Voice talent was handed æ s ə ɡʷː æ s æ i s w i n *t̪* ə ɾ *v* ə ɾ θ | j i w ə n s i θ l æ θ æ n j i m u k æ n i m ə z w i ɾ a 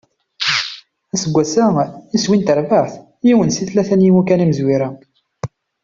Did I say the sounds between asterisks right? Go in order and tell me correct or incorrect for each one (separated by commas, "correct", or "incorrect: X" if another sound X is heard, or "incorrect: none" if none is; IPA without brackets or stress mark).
correct, correct